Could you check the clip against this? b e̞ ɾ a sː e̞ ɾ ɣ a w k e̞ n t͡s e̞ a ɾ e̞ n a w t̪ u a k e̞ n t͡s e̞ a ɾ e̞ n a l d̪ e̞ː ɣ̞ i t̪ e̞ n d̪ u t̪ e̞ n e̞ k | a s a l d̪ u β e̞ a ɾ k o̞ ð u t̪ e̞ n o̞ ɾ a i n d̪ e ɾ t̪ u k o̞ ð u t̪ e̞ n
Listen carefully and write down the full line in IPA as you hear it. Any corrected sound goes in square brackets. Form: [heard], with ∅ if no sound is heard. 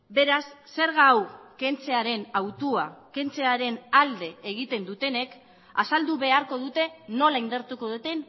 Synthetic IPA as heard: b e̞ ɾ a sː e̞ ɾ ɣ a w k e̞ n t͡s e̞ a ɾ e̞ n a w t̪ u a k e̞ n t͡s e̞ a ɾ e̞ n a l d̪ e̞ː ɣ̞ i t̪ e̞ n d̪ u t̪ e̞ n e̞ k | a s a l d̪ u β e̞ a ɾ k o̞ ð u t̪ e̞ n o̞ [l] a i n d̪ e ɾ t̪ u k o̞ ð u t̪ e̞ n